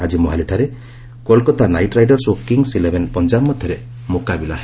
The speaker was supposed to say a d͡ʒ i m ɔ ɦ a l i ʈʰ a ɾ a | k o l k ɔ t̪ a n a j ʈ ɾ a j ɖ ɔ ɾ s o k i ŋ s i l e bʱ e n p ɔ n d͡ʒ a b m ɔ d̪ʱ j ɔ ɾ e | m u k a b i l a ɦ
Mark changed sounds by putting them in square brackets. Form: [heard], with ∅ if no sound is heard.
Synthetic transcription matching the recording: a d͡ʒ i m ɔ ɦ a l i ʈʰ a ɾ [e] | k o l k ɔ t̪ a n a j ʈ ɾ a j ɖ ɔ ɾ s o k i ŋ s i l e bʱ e n p ɔ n d͡ʒ a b m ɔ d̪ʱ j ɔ ɾ e | m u k a b i l a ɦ